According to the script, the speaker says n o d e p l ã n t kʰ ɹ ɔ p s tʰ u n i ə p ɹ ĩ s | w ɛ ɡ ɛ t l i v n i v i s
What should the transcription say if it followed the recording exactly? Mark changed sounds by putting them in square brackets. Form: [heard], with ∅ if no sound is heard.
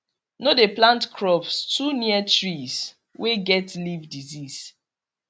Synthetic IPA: n o d e p l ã n t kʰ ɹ ɔ p s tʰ u n i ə [t] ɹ [i] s | w [e] ɡ ɛ t l i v [d] i [z] i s